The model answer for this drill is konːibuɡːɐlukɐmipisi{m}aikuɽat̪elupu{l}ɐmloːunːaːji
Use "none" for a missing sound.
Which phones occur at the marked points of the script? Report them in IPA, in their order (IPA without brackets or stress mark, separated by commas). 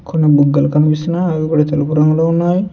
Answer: n, ɾ